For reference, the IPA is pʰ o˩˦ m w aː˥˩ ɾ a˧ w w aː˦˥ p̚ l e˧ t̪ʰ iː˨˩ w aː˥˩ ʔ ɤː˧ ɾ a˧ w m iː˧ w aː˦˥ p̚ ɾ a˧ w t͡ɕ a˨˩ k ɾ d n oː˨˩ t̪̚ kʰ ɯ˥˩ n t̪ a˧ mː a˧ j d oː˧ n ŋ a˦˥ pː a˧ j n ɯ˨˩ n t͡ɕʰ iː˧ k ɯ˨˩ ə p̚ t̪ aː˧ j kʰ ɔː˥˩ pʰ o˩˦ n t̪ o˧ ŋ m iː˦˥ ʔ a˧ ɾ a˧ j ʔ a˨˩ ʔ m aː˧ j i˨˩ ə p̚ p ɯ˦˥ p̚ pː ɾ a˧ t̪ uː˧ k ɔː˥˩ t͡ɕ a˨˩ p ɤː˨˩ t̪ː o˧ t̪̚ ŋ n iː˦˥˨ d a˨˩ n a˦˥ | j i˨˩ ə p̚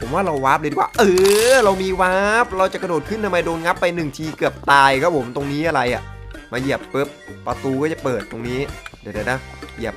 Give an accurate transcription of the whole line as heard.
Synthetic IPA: pʰ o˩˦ m w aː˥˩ ɾ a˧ w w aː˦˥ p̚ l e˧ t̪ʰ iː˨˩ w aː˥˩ ʔ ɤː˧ ɾ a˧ w m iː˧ w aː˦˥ p̚ ɾ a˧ w t͡ɕ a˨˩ k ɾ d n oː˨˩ t̪̚ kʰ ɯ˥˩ n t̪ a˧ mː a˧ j d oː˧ n ŋ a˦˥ pː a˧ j n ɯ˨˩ ŋ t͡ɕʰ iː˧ k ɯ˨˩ ə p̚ t̪ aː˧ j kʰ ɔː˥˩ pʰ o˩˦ m t̪ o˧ ŋ n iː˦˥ ʔ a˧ ɾ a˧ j ʔ a˨˩ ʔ m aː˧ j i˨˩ ə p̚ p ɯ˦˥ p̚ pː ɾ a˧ t̪ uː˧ k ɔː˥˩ t͡ɕ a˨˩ p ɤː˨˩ t̪ː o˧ ŋ n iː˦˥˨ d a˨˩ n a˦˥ | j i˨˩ ə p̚